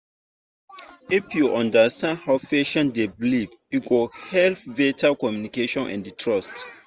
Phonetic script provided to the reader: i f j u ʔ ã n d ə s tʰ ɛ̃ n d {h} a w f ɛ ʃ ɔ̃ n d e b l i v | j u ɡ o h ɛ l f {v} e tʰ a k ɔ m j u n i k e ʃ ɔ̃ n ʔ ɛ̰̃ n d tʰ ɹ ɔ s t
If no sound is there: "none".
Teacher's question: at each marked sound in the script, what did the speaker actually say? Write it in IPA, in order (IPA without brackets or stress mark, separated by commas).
h, v